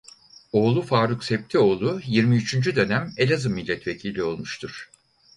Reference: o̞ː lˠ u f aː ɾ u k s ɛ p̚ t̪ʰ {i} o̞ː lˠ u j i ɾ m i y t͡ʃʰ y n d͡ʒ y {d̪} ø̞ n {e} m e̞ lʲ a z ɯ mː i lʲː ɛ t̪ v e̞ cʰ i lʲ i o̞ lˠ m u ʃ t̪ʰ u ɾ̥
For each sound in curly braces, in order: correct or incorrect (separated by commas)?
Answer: correct, correct, incorrect